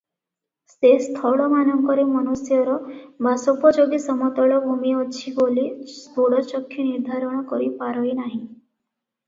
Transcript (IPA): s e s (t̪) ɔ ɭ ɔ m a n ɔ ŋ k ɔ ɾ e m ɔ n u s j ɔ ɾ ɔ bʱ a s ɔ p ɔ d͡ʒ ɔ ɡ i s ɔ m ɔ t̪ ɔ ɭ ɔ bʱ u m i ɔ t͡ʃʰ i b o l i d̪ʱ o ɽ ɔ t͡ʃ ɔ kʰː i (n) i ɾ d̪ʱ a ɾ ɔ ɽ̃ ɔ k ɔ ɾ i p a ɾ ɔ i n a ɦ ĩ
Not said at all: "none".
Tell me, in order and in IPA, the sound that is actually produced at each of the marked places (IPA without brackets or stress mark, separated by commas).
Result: t̪ʰ, n